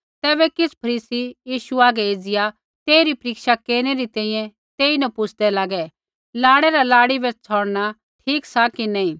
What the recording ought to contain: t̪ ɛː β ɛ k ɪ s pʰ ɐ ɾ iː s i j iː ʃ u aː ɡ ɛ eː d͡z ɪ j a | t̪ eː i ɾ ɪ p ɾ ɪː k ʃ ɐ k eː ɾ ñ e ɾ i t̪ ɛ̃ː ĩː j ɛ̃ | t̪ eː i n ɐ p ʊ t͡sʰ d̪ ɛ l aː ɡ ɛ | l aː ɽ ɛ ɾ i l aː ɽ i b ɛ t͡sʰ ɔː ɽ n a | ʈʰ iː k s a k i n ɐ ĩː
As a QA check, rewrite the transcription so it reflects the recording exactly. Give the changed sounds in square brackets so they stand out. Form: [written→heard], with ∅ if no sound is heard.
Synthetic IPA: t̪ ɛː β ɛ k ɪ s pʰ ɐ ɾ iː s i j iː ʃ u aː ɡ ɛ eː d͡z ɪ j a | t̪ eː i ɾ [ɪ→i] p ɾ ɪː k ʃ [ɐ→a] k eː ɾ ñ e ɾ i t̪ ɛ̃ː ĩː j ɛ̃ | t̪ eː i n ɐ p ʊ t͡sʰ d̪ ɛ l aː ɡ ɛ | l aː ɽ ɛ ɾ [i→a] l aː ɽ i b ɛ t͡sʰ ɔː ɽ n a | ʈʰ iː k s a k i n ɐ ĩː